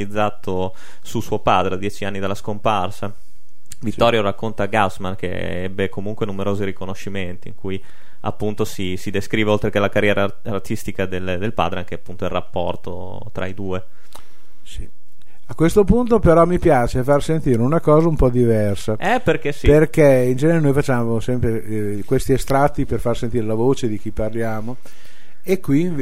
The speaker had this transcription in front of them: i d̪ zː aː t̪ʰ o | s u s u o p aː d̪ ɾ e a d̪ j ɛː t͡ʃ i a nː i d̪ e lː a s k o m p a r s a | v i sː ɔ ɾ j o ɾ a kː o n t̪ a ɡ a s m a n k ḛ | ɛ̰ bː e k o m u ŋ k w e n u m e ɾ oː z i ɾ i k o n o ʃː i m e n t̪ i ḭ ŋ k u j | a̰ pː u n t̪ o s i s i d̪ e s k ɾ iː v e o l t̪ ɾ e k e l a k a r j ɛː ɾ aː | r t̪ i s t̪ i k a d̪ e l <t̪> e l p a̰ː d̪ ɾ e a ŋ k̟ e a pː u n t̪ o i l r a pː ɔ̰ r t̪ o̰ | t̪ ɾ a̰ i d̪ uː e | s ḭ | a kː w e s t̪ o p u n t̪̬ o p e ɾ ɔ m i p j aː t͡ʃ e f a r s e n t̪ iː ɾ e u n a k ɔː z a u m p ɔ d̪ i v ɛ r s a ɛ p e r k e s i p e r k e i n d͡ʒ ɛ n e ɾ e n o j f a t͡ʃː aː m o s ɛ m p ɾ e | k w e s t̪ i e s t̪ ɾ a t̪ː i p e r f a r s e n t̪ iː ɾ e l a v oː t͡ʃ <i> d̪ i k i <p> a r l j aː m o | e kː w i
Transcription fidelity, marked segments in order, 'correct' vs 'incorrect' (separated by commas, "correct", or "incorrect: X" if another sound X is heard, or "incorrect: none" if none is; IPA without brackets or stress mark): incorrect: d̪, incorrect: e, correct